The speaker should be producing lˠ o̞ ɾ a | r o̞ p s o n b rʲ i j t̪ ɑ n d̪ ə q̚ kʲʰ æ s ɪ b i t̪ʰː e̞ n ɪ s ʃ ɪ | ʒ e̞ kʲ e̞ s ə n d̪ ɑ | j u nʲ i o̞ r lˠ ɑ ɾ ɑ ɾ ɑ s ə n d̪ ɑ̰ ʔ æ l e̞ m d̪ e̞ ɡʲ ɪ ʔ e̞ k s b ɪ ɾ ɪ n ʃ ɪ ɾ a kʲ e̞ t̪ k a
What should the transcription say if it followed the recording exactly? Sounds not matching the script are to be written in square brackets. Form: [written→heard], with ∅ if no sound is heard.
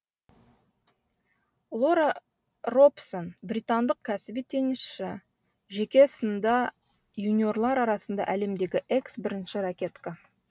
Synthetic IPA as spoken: lˠ o̞ ɾ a | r o̞ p s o n b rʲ i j t̪ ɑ n d̪ ə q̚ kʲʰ æ s ɪ b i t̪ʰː e̞ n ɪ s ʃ ɪ | ʒ e̞ kʲ e̞ s ə n d̪ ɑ | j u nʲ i o̞ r lˠ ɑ ɾ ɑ ɾ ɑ s ə n d̪ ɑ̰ ʔ æ l e̞ m d̪ e̞ ɡʲ ɪ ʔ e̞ k s b ɪ ɾ ɪ n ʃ ɪ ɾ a kʲ e̞ t̪ k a